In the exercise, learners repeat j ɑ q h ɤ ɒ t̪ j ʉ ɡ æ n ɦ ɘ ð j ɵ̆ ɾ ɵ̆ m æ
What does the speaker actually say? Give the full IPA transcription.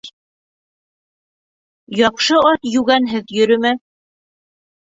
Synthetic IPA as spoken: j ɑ q ʃ ɤ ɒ t̪ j ʉ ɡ æ n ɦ ɘ ð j ɵ̆ ɾ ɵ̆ m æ